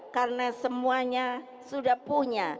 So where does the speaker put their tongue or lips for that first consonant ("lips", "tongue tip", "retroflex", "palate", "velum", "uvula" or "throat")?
velum